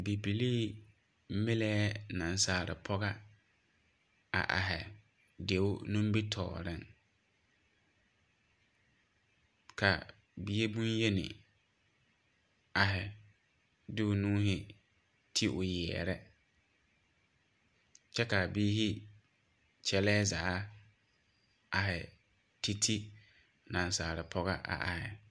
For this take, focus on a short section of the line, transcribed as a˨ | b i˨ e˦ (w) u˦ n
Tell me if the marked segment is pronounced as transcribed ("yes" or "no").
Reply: no